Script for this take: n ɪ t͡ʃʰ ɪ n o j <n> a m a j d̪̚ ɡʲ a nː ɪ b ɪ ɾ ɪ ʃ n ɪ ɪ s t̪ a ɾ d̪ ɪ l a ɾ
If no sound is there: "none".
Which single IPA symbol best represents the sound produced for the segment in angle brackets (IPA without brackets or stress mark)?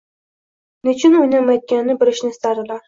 n